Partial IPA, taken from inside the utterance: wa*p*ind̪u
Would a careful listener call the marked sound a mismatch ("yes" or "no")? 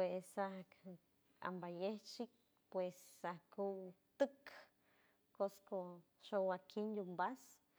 yes